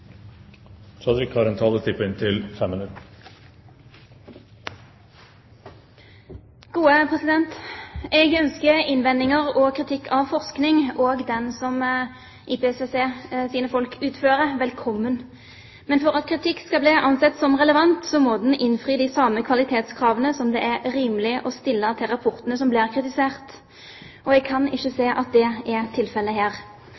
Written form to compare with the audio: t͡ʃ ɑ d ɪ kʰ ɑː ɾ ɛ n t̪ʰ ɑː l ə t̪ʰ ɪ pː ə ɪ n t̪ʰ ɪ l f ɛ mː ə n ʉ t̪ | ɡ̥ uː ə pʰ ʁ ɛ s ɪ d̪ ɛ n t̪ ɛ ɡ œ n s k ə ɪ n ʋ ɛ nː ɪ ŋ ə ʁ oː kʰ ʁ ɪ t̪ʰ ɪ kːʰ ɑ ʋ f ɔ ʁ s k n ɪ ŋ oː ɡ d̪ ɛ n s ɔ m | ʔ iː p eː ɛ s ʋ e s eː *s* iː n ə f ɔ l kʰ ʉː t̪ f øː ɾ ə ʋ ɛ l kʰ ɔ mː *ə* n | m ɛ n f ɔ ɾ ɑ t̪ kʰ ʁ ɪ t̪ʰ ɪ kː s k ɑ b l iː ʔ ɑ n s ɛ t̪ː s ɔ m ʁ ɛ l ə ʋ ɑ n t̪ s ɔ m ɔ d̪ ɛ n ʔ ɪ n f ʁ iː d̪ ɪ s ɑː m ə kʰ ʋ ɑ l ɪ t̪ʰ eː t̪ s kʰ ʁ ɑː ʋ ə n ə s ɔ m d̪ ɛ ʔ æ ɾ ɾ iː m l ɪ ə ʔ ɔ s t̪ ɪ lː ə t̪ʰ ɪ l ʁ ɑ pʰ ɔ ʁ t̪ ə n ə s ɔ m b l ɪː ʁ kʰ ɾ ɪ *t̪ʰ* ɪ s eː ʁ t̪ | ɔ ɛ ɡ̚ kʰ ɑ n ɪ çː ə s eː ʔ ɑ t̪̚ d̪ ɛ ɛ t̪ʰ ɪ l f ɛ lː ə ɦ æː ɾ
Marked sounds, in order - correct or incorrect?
correct, correct, incorrect: t̪

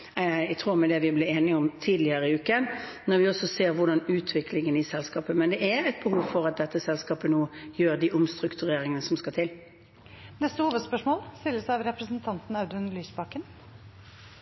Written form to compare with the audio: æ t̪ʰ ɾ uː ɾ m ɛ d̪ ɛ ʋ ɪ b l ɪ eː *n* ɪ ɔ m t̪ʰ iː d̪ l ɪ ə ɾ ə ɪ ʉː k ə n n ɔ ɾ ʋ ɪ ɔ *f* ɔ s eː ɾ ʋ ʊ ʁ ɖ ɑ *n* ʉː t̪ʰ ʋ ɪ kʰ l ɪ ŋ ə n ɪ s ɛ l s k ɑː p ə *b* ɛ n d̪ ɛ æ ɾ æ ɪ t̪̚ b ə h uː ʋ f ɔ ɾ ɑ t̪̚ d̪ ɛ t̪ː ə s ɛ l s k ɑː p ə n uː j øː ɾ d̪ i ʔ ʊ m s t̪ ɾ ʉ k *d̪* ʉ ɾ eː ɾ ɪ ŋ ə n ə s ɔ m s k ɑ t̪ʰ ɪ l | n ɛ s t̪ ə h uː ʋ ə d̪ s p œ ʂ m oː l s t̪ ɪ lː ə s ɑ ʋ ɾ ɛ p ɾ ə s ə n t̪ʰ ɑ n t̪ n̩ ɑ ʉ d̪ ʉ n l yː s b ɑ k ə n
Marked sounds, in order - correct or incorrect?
correct, incorrect: s, correct, incorrect: m, incorrect: t̪

